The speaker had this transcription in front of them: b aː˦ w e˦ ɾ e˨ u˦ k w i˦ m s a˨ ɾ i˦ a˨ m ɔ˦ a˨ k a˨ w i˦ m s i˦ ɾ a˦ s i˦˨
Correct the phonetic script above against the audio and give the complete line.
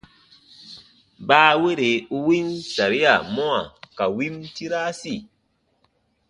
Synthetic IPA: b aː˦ w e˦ ɾ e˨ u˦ w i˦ n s a˨ ɾ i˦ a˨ m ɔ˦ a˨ k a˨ w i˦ m t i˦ ɾ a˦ s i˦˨